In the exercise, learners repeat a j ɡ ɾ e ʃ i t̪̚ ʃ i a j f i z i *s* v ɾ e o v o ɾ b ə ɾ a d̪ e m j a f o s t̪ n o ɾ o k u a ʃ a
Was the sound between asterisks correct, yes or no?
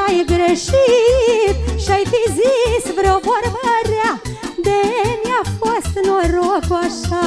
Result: yes